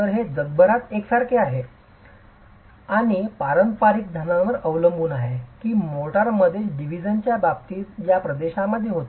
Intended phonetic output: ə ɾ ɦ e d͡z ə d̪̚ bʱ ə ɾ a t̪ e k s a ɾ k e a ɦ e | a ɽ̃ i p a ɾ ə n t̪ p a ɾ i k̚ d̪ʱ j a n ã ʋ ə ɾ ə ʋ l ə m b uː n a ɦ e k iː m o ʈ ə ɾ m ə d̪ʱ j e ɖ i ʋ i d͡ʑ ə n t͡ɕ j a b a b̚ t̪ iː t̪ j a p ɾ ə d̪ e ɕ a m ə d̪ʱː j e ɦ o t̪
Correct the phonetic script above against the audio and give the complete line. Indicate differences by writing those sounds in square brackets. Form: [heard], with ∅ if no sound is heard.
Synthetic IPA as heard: ə ɾ ɦ e d͡z ə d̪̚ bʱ ə ɾ a t̪ e k s a ɾ k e a ɦ e | a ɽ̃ i p a ɾ ə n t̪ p a ɾ i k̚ d̪ʱ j a n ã ʋ ə ɾ ə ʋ l ə m b uː n a ɦ e k iː m o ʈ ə ɾ m ə d̪ʱ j e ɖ i ʋ i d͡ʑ ə n t͡ɕ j a b a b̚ t̪ iː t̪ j a p ɾ ə d̪ e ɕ a m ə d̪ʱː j e ɦ o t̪